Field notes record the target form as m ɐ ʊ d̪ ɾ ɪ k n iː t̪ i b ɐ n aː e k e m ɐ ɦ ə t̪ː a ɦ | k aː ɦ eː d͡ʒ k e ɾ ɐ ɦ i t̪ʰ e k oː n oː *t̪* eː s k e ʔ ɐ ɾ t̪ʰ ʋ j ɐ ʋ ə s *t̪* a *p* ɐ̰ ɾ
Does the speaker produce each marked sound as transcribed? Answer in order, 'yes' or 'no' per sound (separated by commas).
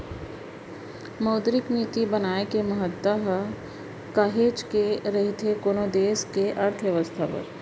no, no, yes